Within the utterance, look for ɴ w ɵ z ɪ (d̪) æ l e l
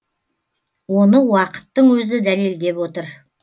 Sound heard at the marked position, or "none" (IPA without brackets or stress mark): d̪